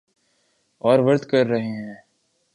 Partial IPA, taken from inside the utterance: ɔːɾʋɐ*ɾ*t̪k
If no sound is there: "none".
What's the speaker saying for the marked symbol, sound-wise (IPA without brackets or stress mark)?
ɾ